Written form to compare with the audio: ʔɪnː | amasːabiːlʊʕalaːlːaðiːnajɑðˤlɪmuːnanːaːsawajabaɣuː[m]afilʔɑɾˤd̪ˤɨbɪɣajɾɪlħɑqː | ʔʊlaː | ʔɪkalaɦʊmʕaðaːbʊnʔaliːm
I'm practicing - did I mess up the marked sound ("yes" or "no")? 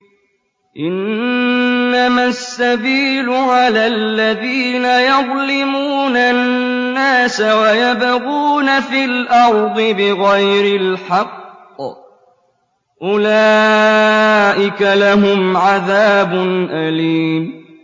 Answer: yes